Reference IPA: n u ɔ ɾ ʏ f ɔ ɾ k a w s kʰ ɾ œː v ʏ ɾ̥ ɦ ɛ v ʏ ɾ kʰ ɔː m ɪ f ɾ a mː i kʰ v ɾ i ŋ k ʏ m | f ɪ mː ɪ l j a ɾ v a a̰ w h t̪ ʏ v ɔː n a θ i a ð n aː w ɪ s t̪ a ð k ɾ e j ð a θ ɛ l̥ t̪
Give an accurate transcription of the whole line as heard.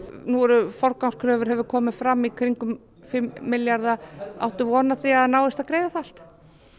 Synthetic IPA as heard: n u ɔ ɾ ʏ f ɔ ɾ k a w s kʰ ɾ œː v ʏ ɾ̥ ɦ ɛ v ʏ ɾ kʰ ɔː m ɪ f ɾ a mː i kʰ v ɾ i ŋ k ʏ m | f ɪ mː ɪ l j a ɾ ð a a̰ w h t̪ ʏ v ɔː n a θ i a ð n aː w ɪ s t̪ a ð k ɾ e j ð a θ a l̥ t̪